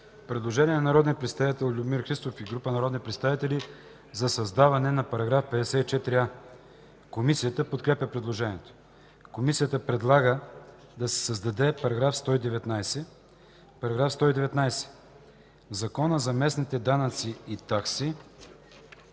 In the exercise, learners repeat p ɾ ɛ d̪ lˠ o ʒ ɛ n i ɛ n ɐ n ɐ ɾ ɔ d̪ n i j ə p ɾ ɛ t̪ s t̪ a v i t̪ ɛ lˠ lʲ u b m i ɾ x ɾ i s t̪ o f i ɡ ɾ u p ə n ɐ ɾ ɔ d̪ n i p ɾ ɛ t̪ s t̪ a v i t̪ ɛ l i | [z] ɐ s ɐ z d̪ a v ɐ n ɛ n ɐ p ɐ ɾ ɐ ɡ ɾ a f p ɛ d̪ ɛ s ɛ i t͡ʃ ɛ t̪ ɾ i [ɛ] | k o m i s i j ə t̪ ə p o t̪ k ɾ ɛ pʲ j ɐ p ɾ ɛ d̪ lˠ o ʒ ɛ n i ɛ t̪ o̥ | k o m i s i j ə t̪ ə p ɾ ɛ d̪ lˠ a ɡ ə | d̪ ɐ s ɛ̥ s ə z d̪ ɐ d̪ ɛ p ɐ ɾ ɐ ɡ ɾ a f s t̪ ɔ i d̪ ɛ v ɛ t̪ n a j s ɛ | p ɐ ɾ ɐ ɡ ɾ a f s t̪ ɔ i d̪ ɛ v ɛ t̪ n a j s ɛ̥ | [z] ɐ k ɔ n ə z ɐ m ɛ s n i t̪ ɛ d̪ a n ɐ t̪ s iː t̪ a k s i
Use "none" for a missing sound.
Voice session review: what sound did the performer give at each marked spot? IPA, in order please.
z, a, z

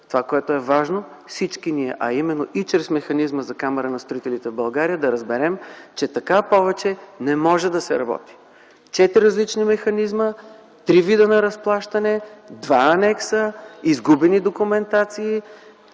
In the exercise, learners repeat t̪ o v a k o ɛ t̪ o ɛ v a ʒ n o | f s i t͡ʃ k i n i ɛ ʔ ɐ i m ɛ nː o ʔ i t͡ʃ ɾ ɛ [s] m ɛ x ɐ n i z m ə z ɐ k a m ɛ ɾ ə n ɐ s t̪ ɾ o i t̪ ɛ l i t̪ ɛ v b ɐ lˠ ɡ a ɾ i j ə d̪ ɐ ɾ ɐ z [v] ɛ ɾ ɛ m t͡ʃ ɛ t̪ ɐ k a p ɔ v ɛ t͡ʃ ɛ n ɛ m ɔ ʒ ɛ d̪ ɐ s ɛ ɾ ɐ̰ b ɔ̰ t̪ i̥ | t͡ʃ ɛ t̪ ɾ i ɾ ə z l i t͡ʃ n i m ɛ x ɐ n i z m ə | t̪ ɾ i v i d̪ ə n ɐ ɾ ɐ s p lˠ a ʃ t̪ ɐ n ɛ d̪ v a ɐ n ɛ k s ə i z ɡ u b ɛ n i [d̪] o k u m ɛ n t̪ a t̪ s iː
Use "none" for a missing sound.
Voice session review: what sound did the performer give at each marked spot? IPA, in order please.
s, b, d̪

